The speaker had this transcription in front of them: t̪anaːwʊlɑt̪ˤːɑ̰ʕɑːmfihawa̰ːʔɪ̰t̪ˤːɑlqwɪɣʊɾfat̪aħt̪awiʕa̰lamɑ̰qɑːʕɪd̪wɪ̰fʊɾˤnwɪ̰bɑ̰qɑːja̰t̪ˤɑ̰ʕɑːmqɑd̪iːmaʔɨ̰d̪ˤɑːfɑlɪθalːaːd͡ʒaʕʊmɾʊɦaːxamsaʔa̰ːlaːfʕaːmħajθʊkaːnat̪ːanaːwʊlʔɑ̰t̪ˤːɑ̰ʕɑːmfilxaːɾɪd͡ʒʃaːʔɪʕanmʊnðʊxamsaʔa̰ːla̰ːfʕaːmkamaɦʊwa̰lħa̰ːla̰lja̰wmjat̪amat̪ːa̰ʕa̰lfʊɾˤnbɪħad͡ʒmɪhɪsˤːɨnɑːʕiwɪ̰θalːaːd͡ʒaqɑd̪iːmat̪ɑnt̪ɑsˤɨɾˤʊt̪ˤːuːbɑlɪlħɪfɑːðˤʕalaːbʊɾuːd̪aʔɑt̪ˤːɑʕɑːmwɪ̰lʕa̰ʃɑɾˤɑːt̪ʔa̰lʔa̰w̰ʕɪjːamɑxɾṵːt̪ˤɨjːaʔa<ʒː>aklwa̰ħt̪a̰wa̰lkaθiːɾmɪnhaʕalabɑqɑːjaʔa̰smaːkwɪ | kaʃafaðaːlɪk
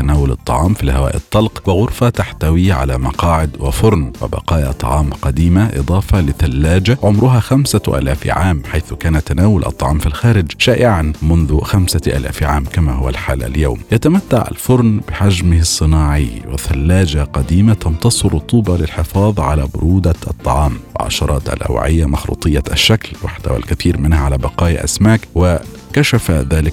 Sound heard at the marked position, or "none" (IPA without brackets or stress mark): ʃː